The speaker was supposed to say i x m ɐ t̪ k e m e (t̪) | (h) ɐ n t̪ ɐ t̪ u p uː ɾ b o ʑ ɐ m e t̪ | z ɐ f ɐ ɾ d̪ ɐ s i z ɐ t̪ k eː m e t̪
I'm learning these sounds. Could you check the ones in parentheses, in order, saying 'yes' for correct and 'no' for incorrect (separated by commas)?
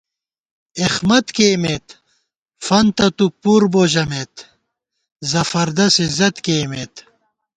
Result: yes, no